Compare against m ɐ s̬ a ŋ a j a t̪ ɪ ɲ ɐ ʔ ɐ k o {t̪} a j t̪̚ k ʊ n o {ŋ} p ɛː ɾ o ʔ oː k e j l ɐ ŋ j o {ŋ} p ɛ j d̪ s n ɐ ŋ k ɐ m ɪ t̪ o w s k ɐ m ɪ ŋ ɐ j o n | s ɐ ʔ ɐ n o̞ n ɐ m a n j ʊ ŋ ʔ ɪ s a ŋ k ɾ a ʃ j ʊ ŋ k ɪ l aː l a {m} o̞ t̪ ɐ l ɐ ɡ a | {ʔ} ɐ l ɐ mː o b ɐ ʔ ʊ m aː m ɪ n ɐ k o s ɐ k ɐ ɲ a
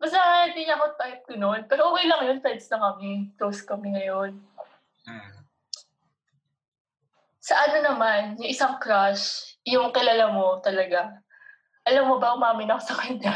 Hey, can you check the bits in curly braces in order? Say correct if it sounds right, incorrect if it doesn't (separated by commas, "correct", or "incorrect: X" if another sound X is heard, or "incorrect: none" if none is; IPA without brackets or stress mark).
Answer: correct, incorrect: n, incorrect: n, correct, correct